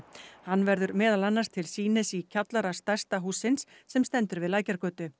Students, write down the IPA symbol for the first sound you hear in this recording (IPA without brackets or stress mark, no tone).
h